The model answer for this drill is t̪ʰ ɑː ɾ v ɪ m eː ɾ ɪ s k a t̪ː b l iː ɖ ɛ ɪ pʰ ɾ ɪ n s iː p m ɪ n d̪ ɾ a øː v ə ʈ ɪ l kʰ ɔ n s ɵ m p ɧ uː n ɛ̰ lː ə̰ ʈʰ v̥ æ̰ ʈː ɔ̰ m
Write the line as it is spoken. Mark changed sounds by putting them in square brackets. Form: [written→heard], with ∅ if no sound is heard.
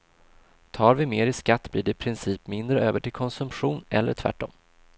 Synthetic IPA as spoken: t̪ʰ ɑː ɾ v ɪ m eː ɾ ɪ s k a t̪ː b l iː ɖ ɛ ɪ pʰ ɾ ɪ n s iː p m ɪ n d̪ ɾ [a→ə] øː v ə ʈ ɪ l kʰ ɔ n s ɵ m p ɧ uː n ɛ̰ lː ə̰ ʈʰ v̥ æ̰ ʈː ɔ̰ m